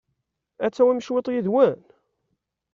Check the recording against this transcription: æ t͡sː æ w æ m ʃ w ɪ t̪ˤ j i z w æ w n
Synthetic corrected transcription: æ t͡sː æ w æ m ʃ w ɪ t̪ˤ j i ð w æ n